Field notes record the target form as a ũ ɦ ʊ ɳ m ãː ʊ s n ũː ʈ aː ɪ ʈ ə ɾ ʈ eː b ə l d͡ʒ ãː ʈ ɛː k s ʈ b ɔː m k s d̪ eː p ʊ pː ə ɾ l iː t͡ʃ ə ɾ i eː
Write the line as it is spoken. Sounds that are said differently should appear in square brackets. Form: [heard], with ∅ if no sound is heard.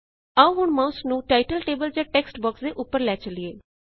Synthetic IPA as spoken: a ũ ɦ ʊ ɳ m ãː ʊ s n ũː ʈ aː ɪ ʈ ə [l] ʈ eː b ə l d͡ʒ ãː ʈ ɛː k s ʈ b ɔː [∅] k s d̪ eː [ʔ] ʊ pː ə ɾ l [ɛː] t͡ʃ ə [l] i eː